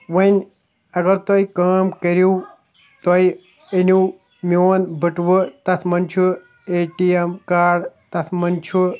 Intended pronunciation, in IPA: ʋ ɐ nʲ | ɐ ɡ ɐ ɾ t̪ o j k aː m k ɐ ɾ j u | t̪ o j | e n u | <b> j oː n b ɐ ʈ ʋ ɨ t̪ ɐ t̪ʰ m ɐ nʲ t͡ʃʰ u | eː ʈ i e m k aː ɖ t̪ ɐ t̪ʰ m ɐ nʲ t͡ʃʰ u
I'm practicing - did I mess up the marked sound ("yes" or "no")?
yes